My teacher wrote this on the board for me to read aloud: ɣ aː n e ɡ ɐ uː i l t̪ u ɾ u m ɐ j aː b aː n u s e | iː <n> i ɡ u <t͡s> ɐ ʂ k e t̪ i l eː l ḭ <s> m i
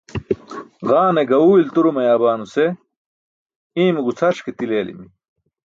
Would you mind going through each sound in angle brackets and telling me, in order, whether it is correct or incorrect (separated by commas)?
incorrect, incorrect, incorrect